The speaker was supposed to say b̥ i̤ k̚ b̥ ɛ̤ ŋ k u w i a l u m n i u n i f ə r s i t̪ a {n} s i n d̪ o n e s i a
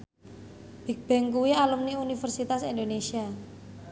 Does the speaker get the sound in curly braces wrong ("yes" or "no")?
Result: yes